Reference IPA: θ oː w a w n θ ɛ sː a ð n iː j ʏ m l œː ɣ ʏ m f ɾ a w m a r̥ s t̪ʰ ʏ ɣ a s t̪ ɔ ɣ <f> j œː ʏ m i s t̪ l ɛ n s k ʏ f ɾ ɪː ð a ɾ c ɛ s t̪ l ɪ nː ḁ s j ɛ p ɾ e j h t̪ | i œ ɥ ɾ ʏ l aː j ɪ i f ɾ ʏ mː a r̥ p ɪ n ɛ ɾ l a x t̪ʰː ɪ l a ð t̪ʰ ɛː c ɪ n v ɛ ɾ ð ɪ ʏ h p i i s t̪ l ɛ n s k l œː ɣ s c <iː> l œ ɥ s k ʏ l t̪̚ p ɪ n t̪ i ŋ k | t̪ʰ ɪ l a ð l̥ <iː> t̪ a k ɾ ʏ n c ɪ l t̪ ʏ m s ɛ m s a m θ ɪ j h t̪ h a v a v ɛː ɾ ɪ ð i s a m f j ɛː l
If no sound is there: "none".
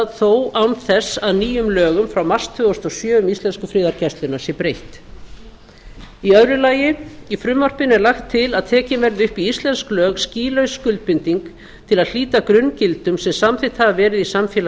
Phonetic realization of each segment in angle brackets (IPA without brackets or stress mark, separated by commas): s, iː, iː